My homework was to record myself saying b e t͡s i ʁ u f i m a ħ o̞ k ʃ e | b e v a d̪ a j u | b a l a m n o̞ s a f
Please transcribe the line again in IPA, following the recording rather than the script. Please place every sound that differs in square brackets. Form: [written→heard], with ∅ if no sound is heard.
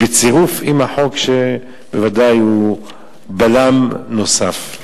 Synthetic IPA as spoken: b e t͡s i ʁ u f i m a ħ o̞ k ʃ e | b e v a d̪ a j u | b a l a m n o̞ s a f